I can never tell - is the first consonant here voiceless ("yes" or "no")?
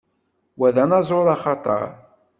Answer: no